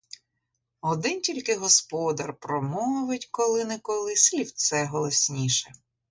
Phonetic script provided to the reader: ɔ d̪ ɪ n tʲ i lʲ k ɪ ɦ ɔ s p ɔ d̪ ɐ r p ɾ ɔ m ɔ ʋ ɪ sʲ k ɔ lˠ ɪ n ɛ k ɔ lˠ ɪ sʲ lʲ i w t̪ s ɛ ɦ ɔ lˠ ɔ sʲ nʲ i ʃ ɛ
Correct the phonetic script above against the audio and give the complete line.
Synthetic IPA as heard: ɔ d̪ ɪ n tʲ i lʲ k ɪ ɦ ɔ s p ɔ d̪ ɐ r p ɾ ɔ m ɔ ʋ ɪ tʲ k ɔ lˠ ɪ n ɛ k ɔ lˠ ɪ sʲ lʲ i w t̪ s ɛ ɦ ɔ lˠ ɔ sʲ nʲ i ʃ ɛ